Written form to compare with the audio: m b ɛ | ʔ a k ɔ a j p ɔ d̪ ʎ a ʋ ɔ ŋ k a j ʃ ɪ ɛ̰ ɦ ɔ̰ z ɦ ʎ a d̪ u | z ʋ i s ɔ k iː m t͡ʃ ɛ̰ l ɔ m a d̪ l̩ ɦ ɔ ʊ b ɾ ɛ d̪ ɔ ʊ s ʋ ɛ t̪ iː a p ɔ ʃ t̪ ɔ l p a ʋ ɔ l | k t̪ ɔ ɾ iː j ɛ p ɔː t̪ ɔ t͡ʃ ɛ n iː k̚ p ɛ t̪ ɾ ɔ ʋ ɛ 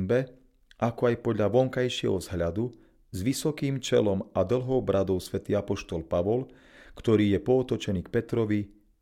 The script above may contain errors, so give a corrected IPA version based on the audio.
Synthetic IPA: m b ɛ | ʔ a k ɔ a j p ɔ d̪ ʎ a ʋ ɔ ŋ k a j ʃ ɪ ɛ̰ ɦ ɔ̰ z ɦ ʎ a d̪ u | z ʋ i s ɔ k iː m t͡ʃ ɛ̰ l ɔ m a d̪ l̩ ɦ ɔ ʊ b ɾ a d̪ ɔ ʊ s ʋ ɛ t̪ iː a p ɔ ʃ t̪ ɔ l p a ʋ ɔ l | k t̪ ɔ ɾ iː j ɛ p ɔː t̪ ɔ t͡ʃ ɛ n iː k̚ p ɛ t̪ ɾ ɔ ʋ i